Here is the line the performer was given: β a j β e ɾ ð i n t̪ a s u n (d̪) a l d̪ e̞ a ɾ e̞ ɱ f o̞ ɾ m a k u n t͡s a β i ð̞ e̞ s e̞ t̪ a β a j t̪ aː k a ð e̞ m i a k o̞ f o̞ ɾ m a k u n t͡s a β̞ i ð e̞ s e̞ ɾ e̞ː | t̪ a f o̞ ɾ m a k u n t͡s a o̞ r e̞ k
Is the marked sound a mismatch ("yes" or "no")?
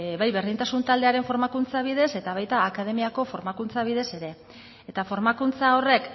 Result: yes